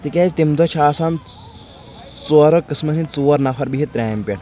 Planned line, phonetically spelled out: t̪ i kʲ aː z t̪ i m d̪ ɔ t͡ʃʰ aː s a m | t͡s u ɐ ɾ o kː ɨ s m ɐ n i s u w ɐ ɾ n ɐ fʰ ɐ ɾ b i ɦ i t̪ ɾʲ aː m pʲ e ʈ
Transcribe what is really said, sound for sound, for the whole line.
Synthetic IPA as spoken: t̪ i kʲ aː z t̪ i m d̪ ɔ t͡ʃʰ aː s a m | t͡s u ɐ ɾ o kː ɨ s m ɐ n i t͡s u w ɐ ɾ n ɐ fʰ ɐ ɾ b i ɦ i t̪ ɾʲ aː m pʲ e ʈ